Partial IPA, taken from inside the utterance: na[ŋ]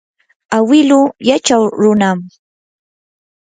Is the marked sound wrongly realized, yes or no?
yes